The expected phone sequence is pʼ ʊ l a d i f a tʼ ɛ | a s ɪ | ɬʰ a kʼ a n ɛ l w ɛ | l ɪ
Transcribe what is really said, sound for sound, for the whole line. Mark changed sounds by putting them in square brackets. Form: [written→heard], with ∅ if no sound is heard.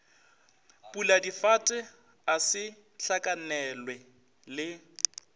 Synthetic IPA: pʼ [ʊ→u] l a d i f a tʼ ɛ | a s ɪ | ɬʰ a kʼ a n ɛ l w ɛ | l ɪ